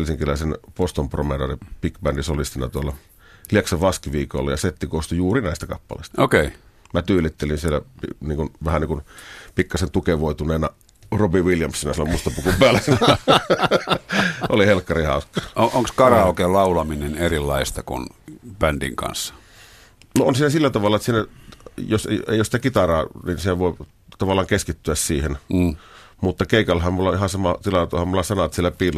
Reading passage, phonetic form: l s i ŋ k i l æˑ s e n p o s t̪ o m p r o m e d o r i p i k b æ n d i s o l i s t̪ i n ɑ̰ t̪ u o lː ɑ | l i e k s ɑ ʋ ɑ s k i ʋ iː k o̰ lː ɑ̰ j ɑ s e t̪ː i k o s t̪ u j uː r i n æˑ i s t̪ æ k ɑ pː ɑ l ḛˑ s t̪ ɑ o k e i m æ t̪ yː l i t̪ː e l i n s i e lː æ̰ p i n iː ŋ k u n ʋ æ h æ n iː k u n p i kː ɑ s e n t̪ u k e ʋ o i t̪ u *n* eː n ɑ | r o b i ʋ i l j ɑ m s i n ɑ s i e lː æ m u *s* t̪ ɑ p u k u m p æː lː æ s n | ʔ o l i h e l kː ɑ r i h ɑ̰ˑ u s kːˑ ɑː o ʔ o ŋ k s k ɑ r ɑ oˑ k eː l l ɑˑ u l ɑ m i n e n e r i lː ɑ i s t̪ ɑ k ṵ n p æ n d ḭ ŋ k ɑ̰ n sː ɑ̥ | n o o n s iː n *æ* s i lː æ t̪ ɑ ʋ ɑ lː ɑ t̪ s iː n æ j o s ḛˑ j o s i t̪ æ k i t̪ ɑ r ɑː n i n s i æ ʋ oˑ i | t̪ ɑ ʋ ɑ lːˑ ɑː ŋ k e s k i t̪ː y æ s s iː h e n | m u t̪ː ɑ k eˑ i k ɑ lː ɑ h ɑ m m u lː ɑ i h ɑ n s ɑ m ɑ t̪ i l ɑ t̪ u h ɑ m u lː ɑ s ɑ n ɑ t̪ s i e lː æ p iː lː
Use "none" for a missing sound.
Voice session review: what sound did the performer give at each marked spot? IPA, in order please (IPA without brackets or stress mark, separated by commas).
n, s, æ